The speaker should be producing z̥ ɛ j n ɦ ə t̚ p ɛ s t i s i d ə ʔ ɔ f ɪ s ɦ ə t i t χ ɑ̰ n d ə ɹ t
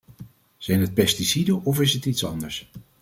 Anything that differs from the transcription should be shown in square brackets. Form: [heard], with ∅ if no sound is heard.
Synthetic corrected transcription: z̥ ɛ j n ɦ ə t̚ p ɛ s t i s i d ə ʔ ɔ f ɪ s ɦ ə t i t [s] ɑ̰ n d ə ɹ [s]

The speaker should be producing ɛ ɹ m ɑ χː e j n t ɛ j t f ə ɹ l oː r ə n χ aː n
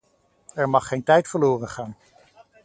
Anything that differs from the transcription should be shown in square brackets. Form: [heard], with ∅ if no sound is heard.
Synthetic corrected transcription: ɛ ɹ m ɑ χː e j n t ɛ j t f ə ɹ l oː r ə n χ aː n

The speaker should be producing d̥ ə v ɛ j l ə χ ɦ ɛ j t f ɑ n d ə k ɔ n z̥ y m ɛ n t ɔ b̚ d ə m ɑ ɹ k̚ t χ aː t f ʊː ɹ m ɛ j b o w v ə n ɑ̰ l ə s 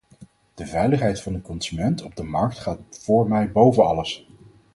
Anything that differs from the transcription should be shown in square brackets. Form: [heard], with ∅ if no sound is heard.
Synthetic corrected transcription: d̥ ə v ɛ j l ə χ ɦ ɛ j t f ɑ n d ə k ɔ n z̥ y m ɛ n t ɔ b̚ d ə m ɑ ɹ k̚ t χ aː t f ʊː ɹ m ɛ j b o w v ə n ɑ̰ l ə s

